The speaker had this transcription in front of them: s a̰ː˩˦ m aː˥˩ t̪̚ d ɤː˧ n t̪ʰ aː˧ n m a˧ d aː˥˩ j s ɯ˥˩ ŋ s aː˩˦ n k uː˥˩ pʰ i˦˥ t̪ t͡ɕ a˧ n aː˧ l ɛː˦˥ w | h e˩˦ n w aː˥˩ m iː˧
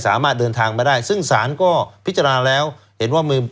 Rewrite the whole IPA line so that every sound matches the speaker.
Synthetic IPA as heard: s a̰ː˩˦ m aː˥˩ t̪̚ d ɤː˧ n t̪ʰ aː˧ ŋ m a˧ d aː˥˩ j s ɯ˥˩ ŋ s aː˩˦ n k ɔː˥˩ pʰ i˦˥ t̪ t͡ɕ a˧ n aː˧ l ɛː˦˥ w | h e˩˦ n w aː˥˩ m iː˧